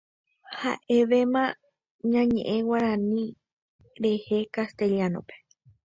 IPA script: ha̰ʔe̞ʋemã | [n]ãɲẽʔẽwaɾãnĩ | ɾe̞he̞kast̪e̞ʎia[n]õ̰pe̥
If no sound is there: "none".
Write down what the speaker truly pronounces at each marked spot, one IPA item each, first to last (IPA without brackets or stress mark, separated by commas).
ɲ, n